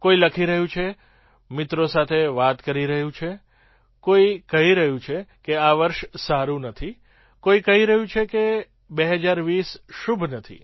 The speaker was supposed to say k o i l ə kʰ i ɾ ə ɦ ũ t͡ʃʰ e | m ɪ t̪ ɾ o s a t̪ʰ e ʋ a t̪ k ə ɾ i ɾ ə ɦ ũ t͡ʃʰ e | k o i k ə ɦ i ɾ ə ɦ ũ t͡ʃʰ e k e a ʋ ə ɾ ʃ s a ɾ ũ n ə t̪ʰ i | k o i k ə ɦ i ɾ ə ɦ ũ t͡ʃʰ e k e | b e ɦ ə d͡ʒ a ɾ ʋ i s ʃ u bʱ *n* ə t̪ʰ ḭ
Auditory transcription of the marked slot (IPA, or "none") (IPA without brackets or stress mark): n